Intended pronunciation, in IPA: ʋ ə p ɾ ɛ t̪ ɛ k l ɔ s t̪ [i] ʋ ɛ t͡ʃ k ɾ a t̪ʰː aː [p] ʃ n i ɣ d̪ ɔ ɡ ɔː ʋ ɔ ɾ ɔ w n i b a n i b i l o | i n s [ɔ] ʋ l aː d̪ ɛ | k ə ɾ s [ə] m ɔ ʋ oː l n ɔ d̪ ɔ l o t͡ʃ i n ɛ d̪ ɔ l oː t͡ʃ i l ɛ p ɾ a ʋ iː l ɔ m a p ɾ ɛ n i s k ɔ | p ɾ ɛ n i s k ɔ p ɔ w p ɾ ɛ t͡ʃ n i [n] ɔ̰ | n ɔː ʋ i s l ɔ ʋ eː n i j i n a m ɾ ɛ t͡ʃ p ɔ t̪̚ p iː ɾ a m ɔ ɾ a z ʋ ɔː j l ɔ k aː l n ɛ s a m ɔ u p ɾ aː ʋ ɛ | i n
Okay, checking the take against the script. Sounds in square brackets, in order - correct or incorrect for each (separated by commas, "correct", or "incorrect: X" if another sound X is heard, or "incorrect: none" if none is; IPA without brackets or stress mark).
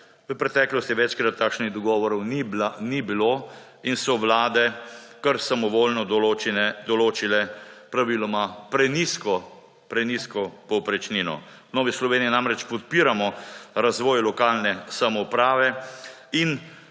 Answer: correct, incorrect: k, correct, incorrect: a, correct